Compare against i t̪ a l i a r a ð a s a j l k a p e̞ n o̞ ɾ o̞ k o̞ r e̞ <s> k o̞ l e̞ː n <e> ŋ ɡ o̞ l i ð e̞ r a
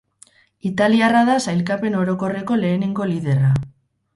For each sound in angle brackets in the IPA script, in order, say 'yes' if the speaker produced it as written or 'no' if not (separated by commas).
no, yes